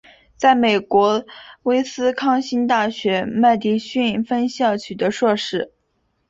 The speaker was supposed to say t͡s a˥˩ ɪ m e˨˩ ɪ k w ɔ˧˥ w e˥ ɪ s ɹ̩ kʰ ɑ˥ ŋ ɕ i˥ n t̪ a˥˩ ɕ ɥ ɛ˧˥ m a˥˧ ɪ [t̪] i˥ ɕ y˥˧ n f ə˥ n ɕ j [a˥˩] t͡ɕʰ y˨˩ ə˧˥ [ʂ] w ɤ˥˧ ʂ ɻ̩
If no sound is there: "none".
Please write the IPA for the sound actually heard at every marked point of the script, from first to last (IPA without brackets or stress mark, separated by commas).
t̪, ɑ˥˩, ʂ